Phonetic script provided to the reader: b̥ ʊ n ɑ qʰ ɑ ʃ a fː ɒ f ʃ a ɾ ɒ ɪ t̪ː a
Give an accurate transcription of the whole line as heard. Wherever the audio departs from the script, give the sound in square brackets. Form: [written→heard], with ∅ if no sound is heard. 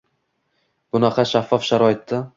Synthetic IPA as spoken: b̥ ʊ n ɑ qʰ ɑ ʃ a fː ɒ f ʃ a ɾ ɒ ɪ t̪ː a

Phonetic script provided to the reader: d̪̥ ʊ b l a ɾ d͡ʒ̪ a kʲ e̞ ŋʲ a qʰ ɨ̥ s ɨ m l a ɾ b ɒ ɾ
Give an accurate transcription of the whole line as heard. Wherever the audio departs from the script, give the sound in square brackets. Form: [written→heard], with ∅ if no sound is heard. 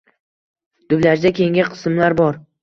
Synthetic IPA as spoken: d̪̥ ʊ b l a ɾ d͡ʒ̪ a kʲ e̞ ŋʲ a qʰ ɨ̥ s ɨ m l a ɾ b ɒ ɾ

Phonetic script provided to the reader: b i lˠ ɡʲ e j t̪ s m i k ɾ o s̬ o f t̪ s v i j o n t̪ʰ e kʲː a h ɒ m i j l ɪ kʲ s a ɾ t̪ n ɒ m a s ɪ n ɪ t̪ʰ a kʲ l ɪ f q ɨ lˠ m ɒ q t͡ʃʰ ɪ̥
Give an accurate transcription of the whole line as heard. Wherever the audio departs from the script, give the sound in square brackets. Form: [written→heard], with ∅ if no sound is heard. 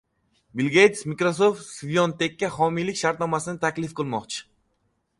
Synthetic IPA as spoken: b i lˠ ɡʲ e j t̪ s m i k ɾ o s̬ o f t̪ s v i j o n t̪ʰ e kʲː a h ɒ m i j l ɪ kʲ [s→ʃ] a ɾ t̪ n ɒ m a s ɪ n ɪ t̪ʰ a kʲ l ɪ f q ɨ lˠ m ɒ q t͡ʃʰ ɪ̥

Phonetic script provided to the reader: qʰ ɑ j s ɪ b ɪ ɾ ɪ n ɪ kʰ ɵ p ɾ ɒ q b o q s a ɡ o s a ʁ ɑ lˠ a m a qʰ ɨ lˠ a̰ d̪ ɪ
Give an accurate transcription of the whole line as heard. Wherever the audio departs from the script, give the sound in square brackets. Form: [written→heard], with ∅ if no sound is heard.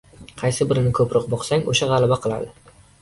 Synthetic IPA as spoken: qʰ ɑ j s ɪ b ɪ ɾ ɪ n ɪ kʰ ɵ p ɾ ɒ q b [o→ɒ] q s a [ɡ→ŋ] o [s→ʃ] a ʁ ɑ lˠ a [m→b] a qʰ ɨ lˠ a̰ d̪ ɪ

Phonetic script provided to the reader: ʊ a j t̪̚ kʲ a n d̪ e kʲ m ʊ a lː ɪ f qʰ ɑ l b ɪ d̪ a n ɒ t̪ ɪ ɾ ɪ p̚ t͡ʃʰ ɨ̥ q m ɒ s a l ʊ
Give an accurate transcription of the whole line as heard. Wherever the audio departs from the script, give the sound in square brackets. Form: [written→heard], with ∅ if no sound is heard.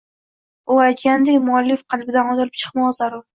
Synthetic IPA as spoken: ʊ a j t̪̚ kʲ a n d̪ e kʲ m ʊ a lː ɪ f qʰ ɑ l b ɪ d̪ a n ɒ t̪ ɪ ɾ ɪ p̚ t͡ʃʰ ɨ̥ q m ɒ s a [l→ɾ] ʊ

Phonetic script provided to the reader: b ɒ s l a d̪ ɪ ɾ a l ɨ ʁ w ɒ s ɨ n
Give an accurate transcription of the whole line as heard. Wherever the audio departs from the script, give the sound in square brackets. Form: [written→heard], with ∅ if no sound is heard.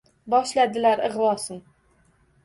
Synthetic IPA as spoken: b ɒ [s→ʃ] l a d̪ ɪ [ɾ→l] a [l→ɾ] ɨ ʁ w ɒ s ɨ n

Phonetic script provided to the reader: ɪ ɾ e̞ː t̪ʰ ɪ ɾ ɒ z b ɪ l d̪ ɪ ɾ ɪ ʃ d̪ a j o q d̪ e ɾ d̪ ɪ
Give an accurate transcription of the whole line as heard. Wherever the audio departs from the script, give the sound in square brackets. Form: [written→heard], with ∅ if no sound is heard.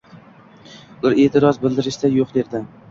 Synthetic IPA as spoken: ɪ ɾ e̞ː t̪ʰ ɪ ɾ ɒ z b ɪ l d̪ ɪ ɾ ɪ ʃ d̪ a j o q d̪ e ɾ d̪ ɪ

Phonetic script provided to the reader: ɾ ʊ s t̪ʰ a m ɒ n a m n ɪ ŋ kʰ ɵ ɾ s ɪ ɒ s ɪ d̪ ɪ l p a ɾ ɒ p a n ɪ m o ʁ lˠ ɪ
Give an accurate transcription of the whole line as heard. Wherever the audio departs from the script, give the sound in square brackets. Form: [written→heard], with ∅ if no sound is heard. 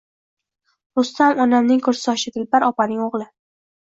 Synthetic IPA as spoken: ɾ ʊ s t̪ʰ a m ɒ n a m n ɪ ŋ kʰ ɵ ɾ s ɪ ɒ [s→ʃ] ɪ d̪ ɪ l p a ɾ ɒ p a n ɪ [m→ŋ] o ʁ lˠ ɪ

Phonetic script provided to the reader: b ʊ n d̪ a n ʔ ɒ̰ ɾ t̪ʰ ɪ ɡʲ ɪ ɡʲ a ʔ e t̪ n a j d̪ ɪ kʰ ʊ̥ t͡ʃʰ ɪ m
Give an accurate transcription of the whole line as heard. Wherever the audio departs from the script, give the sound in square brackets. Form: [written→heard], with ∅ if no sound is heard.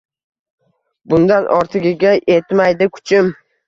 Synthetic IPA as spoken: b ʊ n d̪ a n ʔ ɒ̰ ɾ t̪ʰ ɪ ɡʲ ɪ ɡʲ a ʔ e t̪ [n→m] a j d̪ ɪ kʰ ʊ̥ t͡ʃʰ ɪ m

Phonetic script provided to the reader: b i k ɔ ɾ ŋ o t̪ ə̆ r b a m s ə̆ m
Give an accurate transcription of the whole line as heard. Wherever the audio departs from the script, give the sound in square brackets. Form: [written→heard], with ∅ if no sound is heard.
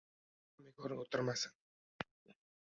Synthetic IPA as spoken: [b→m] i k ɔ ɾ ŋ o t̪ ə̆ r [b→m] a [m→∅] s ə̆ [m→ŋ]

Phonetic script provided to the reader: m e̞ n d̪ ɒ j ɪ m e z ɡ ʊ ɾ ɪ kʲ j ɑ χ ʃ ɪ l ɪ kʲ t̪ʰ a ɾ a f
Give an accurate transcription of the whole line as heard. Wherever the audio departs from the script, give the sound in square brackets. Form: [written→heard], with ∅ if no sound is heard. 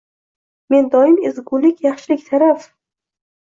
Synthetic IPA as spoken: m e̞ n d̪ ɒ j ɪ m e z ɡ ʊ [ɾ→l] ɪ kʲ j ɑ χ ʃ ɪ l ɪ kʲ t̪ʰ a ɾ a f

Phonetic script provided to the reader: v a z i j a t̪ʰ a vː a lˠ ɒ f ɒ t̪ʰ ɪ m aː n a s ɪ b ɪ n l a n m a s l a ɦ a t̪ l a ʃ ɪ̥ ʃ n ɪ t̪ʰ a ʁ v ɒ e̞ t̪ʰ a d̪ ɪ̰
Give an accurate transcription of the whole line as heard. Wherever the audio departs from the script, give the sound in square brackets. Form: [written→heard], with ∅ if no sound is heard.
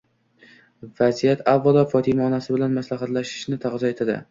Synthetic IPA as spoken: v a z i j a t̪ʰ a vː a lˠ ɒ f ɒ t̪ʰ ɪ m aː n a s ɪ b ɪ [n→∅] l a n m a s l a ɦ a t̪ l a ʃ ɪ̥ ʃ n ɪ t̪ʰ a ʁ [v→z] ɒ e̞ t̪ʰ a d̪ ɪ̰

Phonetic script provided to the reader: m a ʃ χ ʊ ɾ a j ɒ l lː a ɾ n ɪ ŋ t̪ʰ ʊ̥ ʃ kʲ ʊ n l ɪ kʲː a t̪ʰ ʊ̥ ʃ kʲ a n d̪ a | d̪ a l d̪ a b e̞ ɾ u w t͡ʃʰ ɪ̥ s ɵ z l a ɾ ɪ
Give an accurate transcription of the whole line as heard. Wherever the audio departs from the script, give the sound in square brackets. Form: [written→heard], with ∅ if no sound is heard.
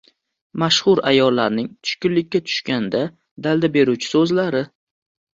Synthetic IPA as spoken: m a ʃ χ ʊ ɾ a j ɒ l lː a ɾ n ɪ ŋ t̪ʰ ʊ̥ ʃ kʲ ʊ n l ɪ kʲː a t̪ʰ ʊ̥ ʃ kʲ a n d̪ a | d̪ a l d̪ a b e̞ ɾ u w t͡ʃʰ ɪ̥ s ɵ z l a ɾ ɪ

